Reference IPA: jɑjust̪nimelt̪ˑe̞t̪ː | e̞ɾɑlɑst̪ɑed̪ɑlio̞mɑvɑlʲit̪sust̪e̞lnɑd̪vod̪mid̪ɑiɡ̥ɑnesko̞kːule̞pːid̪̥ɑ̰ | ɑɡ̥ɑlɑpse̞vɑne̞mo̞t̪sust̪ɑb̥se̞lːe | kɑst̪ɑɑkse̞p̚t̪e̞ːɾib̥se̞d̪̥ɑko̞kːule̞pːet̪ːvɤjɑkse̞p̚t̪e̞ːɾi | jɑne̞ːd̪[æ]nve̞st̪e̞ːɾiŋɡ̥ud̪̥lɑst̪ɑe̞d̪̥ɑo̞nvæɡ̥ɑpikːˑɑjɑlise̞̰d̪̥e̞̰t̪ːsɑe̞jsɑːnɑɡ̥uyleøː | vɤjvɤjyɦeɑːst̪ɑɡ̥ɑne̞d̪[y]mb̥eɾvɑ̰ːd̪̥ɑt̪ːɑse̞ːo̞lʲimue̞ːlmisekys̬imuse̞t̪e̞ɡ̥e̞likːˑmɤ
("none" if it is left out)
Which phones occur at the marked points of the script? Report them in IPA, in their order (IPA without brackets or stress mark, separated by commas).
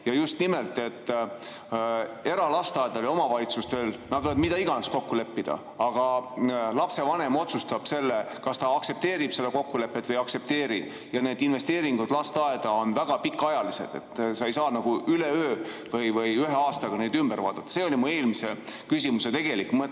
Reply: i, y